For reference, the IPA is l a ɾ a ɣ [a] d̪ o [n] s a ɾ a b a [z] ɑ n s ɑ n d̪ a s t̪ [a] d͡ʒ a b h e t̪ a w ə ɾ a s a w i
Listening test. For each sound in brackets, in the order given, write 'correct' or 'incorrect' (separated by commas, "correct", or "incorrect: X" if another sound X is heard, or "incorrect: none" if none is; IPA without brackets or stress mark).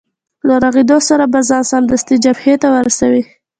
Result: incorrect: e, incorrect: none, correct, incorrect: i